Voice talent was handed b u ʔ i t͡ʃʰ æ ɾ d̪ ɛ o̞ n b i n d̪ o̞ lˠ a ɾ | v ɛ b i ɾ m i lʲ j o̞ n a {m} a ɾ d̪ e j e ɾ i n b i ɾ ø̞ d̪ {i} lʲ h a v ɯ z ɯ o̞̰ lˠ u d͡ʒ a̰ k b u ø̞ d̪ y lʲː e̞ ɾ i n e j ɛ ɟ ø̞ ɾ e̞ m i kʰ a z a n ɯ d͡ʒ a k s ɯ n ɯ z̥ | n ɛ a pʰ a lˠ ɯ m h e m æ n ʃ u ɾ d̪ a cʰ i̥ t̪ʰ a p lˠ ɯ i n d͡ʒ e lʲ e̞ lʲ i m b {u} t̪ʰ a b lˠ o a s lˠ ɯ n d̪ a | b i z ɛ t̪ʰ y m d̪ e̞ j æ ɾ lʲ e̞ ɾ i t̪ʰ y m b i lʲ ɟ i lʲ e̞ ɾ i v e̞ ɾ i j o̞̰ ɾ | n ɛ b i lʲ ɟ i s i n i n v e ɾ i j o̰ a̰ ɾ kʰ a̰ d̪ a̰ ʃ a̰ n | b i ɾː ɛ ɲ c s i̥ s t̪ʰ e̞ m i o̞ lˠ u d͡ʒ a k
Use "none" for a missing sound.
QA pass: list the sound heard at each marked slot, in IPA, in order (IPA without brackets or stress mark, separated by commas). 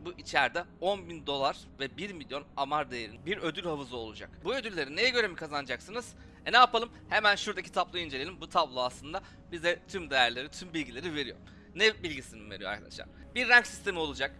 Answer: m, y, u